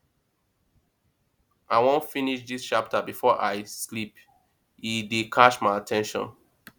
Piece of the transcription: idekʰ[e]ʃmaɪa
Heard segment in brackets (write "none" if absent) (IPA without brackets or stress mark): a